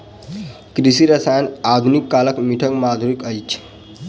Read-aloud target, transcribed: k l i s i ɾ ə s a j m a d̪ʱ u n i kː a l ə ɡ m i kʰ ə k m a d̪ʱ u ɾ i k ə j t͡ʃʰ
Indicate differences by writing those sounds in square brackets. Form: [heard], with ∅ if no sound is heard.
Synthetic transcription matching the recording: k [ɾ] i s i ɾ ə s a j [n] a d̪ʱ u n i kː a l ə [k] m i [ʈʰ] ə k m a d̪ʱ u ɾ i k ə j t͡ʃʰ